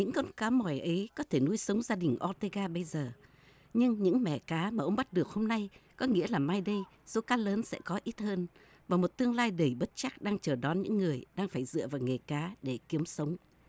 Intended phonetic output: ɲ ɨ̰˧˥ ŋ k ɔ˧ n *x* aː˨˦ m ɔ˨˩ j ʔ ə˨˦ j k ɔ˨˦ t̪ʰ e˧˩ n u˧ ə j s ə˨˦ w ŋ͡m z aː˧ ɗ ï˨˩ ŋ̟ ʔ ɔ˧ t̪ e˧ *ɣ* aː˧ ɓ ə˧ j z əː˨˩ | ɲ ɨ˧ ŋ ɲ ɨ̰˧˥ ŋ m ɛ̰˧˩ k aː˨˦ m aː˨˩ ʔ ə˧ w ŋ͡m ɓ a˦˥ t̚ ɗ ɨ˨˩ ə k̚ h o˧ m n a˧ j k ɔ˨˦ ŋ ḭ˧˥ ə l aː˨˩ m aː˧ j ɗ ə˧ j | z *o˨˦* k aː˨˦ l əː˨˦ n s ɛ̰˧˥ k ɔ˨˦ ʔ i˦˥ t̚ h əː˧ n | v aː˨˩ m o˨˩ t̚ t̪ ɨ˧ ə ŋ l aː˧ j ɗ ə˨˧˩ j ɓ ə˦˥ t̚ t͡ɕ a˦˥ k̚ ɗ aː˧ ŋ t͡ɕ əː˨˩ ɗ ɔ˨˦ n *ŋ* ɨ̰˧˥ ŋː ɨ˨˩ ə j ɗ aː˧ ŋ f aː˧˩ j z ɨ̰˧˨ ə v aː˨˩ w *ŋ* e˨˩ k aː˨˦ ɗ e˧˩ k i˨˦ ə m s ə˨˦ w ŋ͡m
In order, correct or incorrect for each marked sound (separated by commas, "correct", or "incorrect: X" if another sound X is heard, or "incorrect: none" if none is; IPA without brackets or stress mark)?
incorrect: k, correct, correct, incorrect: ɲ, correct